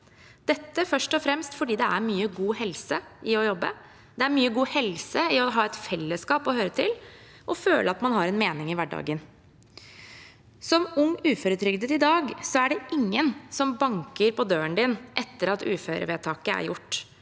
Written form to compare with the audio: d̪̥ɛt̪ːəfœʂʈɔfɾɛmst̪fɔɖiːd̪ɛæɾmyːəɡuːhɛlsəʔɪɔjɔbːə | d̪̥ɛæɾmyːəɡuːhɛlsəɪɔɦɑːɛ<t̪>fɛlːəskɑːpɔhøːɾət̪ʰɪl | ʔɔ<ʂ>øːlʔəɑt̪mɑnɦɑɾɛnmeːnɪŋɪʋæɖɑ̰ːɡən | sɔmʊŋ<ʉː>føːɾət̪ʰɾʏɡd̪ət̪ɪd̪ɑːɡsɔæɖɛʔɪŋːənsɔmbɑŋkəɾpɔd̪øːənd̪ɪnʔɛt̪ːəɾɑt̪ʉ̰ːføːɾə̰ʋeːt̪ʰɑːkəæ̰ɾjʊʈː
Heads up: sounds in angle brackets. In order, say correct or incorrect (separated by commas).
correct, incorrect, correct